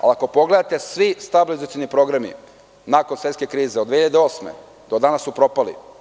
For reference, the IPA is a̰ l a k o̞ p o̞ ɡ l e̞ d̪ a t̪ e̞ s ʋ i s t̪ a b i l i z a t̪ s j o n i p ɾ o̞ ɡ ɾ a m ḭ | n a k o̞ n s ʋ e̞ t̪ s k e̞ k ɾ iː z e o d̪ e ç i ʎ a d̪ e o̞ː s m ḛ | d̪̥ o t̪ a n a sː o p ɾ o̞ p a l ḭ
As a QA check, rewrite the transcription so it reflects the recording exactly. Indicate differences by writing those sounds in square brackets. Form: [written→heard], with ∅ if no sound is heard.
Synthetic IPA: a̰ l a k o̞ p o̞ ɡ l e̞ d̪ a t̪ e̞ s ʋ i s t̪ a b i l i z a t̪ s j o n i p ɾ o̞ ɡ ɾ a m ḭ | n a k o̞ n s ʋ e̞ t̪ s k e̞ k ɾ iː z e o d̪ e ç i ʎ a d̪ e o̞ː s m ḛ | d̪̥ o [t̪→d̪] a n a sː [o→u] p ɾ o̞ p a l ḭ